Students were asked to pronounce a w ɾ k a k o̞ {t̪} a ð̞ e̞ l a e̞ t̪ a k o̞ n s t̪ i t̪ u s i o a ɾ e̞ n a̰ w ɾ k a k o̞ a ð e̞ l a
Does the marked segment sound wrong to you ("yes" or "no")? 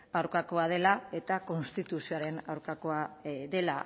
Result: yes